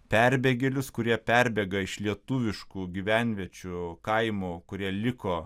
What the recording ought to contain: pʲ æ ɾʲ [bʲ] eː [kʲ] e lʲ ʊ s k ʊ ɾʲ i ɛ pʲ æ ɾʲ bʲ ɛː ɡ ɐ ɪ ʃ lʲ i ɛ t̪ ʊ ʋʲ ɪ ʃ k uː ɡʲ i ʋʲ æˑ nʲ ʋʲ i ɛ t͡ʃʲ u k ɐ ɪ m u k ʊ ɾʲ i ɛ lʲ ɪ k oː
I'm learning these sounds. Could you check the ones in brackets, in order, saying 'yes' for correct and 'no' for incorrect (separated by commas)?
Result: yes, no